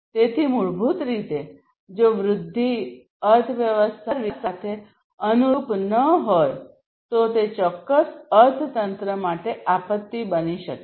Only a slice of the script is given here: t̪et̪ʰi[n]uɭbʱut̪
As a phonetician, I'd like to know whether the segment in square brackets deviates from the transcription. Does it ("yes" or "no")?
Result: yes